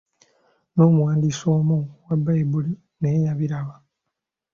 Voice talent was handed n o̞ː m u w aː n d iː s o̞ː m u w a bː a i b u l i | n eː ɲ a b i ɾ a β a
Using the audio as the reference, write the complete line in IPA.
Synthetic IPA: n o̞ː m u w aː n d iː s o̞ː m u w a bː a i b u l i | n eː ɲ a β i ɾ a β a